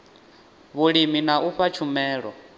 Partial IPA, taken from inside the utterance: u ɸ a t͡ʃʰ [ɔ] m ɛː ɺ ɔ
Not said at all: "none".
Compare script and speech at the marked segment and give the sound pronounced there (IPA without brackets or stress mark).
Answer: u